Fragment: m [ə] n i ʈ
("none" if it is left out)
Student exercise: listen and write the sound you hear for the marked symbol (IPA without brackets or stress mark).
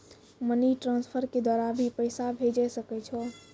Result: ə